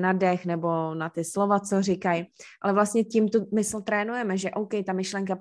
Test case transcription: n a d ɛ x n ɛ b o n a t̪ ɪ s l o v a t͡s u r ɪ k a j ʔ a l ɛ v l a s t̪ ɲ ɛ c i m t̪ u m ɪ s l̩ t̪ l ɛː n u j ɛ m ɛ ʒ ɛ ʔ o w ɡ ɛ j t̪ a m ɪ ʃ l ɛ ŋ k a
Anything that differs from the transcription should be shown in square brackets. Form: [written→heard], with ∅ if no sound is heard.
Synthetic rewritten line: n a d ɛ x n ɛ b o n a t̪ ɪ s l o v a t͡s [u→o] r ɪ k a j ʔ a l ɛ v l a s t̪ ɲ ɛ c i m t̪ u m ɪ s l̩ t̪ [l→ɾ] ɛː n u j ɛ m ɛ ʒ ɛ ʔ o w [ɡ→k] ɛ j t̪ a m ɪ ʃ l ɛ ŋ k a